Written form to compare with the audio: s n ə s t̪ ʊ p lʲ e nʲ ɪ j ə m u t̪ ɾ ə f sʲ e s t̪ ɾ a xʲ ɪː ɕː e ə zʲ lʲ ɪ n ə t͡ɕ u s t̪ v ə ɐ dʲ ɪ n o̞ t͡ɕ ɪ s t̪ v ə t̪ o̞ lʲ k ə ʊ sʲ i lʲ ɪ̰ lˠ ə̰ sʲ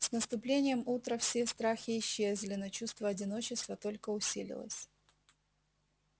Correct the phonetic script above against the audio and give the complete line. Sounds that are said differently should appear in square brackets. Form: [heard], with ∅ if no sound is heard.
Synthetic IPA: s n ə s t̪ ʊ p lʲ e nʲ ɪ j ə m u t̪ ɾ ə f sʲ e s t̪ ɾ a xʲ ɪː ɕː e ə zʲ lʲ ɪ n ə t͡ɕ u s t̪ v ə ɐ dʲ ɪ n o̞ t͡ɕ ɪ s t̪ v ə t̪ o̞ lʲ k ə ʊ sʲ i lʲ ɪ̰ lˠ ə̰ sʲ

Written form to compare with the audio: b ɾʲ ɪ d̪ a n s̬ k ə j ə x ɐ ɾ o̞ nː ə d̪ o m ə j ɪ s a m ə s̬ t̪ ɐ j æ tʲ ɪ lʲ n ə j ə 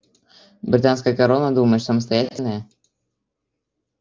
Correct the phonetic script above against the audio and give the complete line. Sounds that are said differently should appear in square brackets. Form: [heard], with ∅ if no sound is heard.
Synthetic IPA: b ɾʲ ɪ [t̪] a n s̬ k ə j ə [k] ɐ ɾ o̞ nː ə d̪ [u] m ə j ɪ s [ə] m ə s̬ t̪ ɐ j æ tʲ ɪ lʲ n ə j ə

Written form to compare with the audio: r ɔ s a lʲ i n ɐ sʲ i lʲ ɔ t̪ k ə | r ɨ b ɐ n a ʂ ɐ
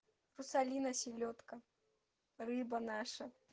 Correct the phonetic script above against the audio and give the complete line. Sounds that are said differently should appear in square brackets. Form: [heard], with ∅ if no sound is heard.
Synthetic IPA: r [u] s a lʲ i n ɐ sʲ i lʲ ɔ t̪ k [ɐ] | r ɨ b ɐ n a ʂ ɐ

